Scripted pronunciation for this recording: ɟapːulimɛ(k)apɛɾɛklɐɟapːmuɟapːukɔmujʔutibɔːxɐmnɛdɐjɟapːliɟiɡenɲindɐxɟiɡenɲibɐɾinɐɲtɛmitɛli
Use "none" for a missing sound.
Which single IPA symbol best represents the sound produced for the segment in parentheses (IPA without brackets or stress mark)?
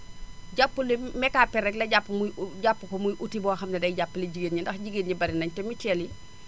k